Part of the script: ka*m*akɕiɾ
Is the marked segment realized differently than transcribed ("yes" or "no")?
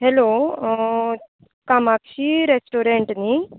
no